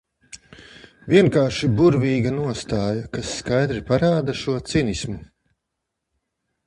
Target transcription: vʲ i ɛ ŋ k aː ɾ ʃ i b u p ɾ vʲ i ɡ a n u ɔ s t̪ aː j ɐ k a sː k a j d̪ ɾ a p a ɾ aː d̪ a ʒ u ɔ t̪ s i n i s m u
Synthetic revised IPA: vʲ i ɛ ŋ k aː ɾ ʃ i b u ɾ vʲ iː ɡ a n u ɔ s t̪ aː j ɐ k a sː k a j d̪ ɾ i p a ɾ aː d̪ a ʃ u ɔ t̪ s i n i s m u